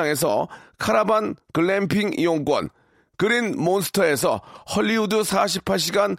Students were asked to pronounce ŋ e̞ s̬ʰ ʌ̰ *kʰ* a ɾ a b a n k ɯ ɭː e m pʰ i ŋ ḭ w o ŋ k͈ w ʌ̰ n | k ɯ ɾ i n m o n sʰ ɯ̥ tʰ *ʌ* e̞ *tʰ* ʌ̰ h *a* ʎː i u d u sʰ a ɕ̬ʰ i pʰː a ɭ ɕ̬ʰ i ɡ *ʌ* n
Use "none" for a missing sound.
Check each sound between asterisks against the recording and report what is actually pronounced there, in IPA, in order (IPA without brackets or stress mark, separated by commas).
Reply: kʰ, ʌ, sʰ, ʌ, a